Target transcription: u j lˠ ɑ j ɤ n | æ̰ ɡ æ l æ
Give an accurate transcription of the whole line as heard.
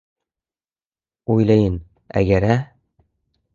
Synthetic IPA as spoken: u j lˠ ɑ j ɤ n | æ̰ ɡ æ ɾ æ